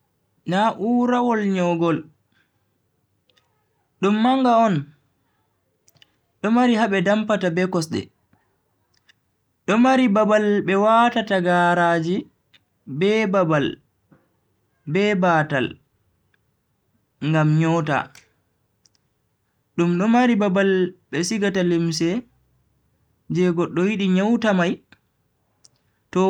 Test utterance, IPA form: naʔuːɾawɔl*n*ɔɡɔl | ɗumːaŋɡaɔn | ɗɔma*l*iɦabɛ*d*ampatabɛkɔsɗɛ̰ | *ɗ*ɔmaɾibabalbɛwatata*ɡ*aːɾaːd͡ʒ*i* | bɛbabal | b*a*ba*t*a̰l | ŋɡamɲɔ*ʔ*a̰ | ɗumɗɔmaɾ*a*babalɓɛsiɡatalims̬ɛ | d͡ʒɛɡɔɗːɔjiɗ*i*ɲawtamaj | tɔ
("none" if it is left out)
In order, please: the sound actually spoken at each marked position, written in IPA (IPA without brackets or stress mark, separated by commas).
ɲ, ɾ, d, ɗ, ɡ, i, ɛ, t, t, i, i